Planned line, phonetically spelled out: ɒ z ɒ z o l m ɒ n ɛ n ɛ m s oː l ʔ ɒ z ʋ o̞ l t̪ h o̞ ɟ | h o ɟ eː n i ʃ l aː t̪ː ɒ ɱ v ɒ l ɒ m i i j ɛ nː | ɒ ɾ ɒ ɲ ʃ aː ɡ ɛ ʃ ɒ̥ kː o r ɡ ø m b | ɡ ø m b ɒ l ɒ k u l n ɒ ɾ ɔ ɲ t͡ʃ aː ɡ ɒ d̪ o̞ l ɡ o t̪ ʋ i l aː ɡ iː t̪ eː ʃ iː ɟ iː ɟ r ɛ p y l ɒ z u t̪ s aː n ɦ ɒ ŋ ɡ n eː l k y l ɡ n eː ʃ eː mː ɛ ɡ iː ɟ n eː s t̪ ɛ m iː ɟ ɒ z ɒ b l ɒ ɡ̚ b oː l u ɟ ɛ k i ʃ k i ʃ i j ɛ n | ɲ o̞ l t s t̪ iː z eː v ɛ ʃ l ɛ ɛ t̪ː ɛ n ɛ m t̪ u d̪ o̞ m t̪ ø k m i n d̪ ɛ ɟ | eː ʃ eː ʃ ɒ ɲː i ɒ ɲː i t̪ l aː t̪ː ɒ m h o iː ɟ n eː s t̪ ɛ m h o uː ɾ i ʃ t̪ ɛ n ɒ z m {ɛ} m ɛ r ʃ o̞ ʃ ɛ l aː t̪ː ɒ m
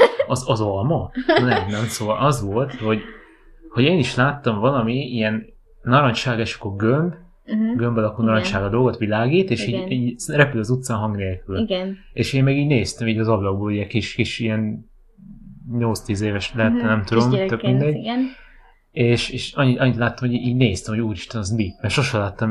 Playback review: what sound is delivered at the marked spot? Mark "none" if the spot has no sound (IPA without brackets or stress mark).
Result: i